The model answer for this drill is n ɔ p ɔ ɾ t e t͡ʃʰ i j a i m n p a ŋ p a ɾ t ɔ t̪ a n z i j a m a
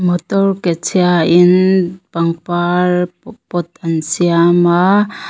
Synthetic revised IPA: m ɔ t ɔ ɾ k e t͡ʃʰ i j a i n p a ŋ p a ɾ p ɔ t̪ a n s i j a m a